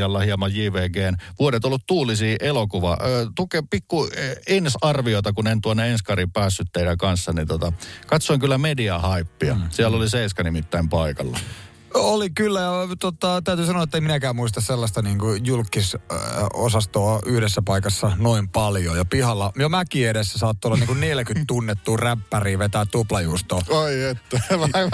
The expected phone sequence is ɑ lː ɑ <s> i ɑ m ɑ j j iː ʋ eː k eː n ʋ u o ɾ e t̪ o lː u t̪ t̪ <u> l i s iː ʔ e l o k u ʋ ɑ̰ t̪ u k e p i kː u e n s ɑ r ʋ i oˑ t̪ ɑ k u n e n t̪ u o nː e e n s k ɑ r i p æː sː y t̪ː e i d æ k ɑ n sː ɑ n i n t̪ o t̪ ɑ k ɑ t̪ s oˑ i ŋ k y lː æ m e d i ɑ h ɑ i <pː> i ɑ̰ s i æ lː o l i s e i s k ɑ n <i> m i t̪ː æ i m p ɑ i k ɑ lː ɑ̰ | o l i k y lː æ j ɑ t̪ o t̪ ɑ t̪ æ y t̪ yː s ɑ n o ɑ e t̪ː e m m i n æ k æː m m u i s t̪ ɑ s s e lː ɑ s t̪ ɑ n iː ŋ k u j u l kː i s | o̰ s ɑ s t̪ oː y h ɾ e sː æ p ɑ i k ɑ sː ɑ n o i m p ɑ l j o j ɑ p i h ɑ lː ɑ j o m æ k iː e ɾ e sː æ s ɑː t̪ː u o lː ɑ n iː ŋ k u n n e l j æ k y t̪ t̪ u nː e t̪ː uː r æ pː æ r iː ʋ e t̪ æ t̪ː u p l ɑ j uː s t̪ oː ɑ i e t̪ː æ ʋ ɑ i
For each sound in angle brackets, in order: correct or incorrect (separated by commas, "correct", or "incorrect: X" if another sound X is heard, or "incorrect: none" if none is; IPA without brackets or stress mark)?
incorrect: h, incorrect: uː, correct, correct